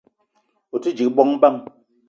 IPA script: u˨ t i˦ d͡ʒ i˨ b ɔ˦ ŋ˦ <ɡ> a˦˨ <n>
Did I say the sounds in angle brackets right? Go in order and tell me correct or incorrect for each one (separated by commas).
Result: incorrect, incorrect